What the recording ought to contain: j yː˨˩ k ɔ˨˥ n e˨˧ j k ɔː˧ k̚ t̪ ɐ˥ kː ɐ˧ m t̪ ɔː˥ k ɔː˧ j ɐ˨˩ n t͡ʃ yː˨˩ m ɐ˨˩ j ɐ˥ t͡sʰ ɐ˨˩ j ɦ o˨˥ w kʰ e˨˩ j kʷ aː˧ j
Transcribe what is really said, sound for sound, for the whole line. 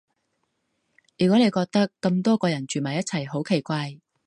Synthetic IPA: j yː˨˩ k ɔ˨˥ n e˨˧ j k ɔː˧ k̚ t̪ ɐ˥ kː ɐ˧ m t̪ ɔː˥ k ɔː˧ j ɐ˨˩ n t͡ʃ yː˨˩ m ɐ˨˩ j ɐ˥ t͡sʰ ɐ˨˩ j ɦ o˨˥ w kʰ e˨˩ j kʷ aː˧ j